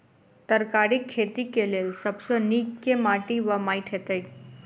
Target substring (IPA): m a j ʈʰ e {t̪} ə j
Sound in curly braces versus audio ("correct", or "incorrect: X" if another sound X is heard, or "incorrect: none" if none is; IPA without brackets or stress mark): correct